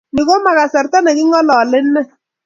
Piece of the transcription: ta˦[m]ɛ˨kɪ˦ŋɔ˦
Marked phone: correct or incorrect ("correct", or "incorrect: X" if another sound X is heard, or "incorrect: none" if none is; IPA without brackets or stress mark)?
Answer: incorrect: n